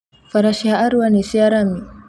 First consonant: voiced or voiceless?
voiceless